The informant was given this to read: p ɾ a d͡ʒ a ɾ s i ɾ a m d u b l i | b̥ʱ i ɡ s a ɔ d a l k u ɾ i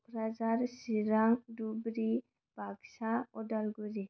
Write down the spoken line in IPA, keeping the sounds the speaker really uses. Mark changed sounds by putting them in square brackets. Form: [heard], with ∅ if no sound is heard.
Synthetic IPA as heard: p ɾ a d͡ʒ a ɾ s i ɾ a [ŋ] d u b [ɾ] i | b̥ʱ [a] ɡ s a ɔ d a l [ɡ] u ɾ i